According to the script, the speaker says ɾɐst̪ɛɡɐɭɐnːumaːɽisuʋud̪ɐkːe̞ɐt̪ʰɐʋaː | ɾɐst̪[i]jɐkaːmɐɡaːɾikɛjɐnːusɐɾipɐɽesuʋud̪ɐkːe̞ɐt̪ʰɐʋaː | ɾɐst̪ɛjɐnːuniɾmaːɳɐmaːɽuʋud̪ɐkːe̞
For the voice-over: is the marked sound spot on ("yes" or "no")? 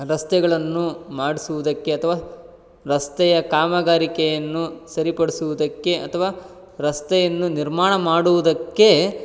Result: no